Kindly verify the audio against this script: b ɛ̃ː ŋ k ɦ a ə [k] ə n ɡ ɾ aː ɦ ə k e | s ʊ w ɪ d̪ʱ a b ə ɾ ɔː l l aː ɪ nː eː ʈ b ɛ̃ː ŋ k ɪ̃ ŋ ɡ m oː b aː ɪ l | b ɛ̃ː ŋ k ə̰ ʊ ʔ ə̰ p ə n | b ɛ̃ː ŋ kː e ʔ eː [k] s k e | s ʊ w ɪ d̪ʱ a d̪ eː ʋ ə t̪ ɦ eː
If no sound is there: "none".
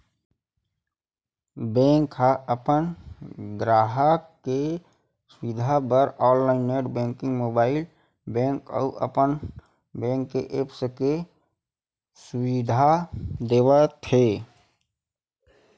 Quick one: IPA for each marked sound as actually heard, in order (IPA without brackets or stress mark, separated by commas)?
p, p